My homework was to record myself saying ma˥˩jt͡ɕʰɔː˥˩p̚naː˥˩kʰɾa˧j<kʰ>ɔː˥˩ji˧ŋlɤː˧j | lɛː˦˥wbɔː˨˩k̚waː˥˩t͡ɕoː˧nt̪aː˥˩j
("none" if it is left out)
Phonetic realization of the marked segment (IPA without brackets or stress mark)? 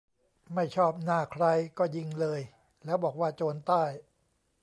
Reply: k